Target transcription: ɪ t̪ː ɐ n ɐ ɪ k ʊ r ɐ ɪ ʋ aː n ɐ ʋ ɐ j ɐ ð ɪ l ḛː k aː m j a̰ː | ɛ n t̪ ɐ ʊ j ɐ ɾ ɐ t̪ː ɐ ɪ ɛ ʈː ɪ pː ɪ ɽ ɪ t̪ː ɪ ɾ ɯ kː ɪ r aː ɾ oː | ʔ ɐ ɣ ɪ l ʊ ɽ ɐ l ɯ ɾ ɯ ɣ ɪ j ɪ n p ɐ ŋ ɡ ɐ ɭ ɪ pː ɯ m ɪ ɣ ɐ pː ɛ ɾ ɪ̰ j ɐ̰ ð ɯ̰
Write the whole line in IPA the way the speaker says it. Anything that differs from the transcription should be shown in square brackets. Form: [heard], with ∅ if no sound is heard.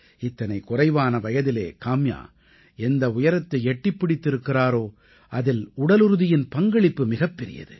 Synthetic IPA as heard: ɪ t̪ː ɐ n ɐ ɪ k ʊ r ɐ ɪ ʋ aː n ɐ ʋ ɐ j ɐ ð ɪ l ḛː k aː m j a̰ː | ɛ n [d̪] ɐ ʊ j ɐ ɾ ɐ t̪ː ɐ ɪ ɛ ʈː ɪ pː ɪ ɽ ɪ t̪ː ɪ ɾ ɯ kː ɪ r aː ɾ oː | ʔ ɐ [ð] ɪ l ʊ ɽ ɐ l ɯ ɾ ɯ [ð] ɪ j ɪ n p ɐ ŋ ɡ ɐ ɭ ɪ pː ɯ m ɪ ɣ ɐ pː ɛ ɾ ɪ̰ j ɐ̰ ð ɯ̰